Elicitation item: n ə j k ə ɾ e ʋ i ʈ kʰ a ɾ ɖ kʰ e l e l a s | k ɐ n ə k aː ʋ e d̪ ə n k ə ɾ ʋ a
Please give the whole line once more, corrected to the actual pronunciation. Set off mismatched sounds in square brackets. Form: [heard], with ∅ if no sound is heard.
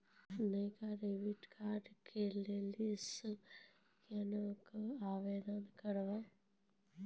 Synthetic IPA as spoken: n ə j k [a] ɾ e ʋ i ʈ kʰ a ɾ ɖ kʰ e l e l [i] s | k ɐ n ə k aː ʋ e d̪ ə n k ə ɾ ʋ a

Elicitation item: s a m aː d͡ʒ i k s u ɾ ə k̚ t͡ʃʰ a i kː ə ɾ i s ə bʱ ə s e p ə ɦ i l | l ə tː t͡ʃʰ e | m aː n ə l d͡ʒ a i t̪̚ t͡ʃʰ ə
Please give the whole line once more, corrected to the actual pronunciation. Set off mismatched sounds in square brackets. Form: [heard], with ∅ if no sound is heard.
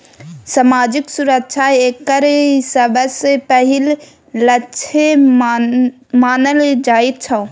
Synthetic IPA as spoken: s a m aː d͡ʒ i k s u ɾ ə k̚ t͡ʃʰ a [e] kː ə ɾ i s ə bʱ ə s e p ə ɦ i l | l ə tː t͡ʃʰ e | m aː n ə l d͡ʒ a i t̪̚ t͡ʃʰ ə

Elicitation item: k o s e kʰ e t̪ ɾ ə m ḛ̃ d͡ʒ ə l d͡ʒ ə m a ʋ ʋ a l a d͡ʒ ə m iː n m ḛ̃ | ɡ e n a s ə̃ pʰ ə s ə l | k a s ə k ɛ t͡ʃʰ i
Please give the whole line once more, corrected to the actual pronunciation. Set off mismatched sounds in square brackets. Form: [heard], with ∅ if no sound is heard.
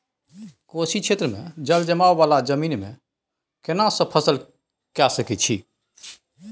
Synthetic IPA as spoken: k o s [i] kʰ e t̪ ɾ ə m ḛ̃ d͡ʒ ə l d͡ʒ ə m a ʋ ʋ a l a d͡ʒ ə m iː n m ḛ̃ | [k] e n a s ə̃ pʰ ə s ə l | k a s ə k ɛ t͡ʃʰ i

